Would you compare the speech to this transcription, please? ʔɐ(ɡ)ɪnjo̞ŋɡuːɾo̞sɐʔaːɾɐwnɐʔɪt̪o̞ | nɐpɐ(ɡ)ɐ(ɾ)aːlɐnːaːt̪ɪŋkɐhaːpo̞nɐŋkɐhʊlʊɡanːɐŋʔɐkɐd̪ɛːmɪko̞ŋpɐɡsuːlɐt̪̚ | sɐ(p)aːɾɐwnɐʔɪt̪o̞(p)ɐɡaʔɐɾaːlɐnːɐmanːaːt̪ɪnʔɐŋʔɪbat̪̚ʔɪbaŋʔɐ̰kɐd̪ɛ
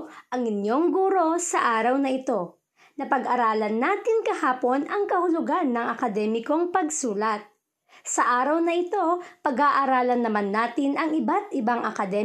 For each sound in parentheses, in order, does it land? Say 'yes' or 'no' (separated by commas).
no, yes, yes, no, yes